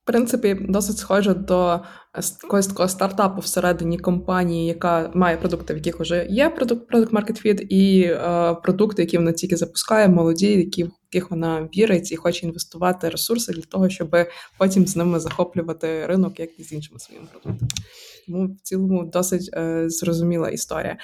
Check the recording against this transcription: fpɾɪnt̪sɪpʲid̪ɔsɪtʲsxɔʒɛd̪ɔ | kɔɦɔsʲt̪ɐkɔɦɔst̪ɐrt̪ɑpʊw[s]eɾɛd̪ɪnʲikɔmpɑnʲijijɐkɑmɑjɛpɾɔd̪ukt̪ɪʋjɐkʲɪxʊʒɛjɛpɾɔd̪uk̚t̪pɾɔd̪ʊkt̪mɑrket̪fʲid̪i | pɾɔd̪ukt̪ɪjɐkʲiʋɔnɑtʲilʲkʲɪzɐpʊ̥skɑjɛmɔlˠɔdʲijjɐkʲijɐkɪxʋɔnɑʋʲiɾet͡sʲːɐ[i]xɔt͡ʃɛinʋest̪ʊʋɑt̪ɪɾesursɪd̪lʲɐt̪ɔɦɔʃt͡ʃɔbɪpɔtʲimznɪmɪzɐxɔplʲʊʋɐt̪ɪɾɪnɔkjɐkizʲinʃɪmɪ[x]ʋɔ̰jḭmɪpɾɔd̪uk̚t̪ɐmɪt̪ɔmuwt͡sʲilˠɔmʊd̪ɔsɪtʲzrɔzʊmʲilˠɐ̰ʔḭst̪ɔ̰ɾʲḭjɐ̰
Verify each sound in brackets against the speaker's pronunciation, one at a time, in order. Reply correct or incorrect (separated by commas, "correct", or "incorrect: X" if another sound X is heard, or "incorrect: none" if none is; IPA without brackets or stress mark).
correct, correct, incorrect: s